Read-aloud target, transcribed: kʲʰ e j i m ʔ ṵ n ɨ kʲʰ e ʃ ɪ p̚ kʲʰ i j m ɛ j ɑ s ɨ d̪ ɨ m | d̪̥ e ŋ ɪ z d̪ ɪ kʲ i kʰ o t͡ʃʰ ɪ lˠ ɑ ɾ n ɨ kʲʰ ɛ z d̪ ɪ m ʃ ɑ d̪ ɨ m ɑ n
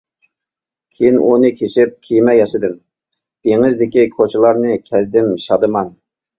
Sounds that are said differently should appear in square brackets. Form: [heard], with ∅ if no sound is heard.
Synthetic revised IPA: kʲʰ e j i [n] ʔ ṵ n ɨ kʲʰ e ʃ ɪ p̚ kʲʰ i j m ɛ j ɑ [ʃ] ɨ d̪ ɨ m | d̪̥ e ŋ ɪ z d̪ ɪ kʲ i kʰ o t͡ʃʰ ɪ lˠ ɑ ɾ n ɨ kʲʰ ɛ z d̪ ɪ m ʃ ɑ d̪ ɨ m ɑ n